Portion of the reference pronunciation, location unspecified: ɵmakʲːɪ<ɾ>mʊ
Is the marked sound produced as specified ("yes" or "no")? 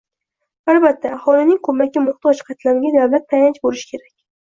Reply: no